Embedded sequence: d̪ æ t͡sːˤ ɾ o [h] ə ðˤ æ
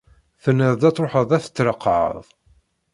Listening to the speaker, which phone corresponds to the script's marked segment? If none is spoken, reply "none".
ħ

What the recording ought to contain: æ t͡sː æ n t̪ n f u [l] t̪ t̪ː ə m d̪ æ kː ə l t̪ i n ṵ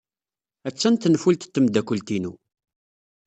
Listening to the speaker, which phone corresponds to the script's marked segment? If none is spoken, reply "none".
l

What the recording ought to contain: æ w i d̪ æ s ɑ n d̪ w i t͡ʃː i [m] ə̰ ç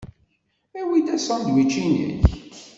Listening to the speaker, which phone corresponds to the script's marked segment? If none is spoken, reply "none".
n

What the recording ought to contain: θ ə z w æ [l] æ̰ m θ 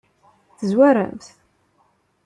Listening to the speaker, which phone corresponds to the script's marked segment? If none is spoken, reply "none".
ɾ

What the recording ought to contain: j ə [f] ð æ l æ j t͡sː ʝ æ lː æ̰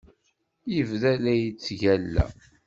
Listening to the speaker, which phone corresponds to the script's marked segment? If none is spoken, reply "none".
v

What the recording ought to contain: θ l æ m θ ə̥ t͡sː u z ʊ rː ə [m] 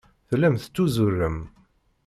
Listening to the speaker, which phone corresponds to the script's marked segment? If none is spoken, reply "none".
m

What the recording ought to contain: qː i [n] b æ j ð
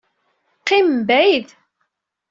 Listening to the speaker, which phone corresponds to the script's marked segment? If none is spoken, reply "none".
m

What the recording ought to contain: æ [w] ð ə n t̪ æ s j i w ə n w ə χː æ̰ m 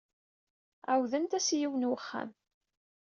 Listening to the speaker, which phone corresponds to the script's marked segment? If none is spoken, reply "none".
w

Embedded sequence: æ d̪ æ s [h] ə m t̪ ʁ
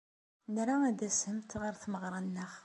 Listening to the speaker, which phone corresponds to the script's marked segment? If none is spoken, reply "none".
h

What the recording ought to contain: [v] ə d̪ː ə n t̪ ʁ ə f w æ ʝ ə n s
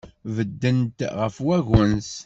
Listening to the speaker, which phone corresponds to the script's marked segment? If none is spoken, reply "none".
v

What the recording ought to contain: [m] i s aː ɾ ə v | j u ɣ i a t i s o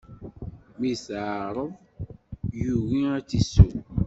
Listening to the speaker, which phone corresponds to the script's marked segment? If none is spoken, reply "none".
m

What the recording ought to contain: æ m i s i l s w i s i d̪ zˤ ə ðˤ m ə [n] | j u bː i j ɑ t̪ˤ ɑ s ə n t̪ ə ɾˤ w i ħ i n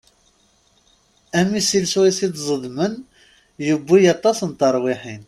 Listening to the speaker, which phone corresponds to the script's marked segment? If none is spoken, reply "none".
n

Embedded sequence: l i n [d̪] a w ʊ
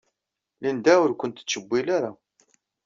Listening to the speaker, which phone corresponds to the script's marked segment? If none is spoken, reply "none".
d̪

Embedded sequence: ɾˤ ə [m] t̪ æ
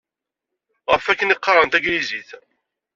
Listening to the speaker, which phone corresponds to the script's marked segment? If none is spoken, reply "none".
n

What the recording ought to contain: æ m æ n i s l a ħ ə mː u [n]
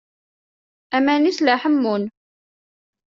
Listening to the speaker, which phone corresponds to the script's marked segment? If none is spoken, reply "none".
n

